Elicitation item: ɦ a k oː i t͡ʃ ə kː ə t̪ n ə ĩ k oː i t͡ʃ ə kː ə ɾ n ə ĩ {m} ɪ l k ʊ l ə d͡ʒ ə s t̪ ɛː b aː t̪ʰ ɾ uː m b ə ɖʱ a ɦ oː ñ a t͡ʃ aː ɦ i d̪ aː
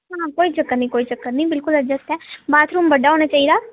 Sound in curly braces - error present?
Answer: yes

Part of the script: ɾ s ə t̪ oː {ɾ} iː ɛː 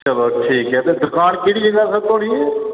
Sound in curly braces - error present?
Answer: yes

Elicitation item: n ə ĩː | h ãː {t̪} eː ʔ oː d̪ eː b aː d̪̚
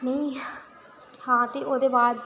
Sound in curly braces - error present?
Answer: no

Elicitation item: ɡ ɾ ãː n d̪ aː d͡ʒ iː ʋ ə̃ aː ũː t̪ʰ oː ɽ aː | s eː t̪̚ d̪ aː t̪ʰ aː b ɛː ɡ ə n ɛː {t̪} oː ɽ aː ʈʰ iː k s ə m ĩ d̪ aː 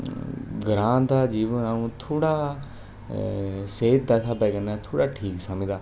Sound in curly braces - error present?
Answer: yes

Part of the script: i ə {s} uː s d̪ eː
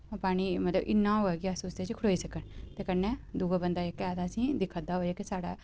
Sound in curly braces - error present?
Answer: no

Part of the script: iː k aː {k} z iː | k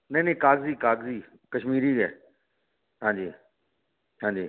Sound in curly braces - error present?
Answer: yes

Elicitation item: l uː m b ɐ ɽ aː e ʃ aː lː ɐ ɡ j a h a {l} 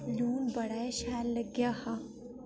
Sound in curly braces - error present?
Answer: yes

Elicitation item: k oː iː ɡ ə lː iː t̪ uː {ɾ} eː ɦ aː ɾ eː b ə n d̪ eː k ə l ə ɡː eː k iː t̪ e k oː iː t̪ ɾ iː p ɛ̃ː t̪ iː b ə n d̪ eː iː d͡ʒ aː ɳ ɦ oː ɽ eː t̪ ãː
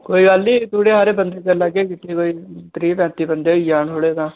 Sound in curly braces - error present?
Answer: yes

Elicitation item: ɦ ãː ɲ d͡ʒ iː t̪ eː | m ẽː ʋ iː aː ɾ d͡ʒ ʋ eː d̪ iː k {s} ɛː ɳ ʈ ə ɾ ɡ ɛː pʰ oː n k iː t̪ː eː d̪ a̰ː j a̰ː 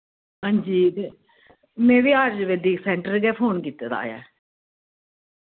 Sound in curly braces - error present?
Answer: no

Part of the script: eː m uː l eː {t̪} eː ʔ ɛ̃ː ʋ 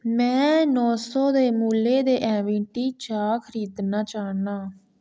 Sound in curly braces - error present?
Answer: yes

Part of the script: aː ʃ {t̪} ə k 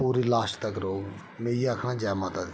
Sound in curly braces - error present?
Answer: no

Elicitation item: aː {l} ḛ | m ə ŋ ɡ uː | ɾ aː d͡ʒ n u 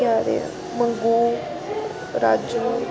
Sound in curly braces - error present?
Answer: yes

